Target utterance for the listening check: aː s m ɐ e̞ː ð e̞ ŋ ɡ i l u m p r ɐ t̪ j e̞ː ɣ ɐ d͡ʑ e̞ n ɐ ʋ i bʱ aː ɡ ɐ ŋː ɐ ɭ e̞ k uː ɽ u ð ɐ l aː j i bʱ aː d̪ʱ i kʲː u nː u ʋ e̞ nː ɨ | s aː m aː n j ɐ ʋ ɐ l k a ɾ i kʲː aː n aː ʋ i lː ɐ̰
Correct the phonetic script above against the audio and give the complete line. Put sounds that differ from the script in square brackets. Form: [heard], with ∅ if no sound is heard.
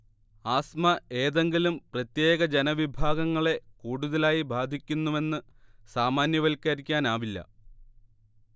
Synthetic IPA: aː s m ɐ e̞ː ð e̞ ŋ ɡ i l u m p r ɐ t̪ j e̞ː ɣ ɐ d͡ʑ e̞ n ɐ ʋ i bʱ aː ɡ ɐ ŋː ɐ ɭ e̞ k uː ɽ u ð ɐ l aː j i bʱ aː d̪ʱ i kʲː u nː u ʋ e̞ nː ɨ | s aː m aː n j ɐ ʋ ɐ l k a ɾ i kʲː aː n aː ʋ i lː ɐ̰